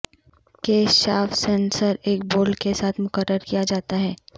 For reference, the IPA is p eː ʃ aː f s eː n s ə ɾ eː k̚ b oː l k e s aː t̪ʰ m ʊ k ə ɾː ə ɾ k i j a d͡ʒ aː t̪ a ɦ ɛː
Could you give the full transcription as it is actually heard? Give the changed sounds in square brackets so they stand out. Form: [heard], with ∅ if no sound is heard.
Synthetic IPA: [k] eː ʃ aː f s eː n s ə ɾ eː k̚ b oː l k e s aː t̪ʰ m ʊ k ə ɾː ə ɾ k i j a d͡ʒ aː t̪ a ɦ ɛː